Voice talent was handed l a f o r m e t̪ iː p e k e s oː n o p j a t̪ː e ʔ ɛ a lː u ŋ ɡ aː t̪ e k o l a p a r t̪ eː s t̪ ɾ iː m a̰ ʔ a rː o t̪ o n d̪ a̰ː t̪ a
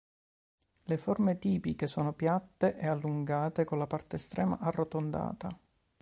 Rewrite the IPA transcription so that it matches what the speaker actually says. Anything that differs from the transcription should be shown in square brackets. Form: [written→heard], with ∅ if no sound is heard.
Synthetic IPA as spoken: l [a→e] f o r m e t̪ iː p [e→i] k e s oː n o p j a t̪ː e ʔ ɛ a lː u ŋ ɡ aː t̪ e k o l a p a r t̪ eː s t̪ ɾ [iː→ɛː] m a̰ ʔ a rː o t̪ o n d̪ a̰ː t̪ a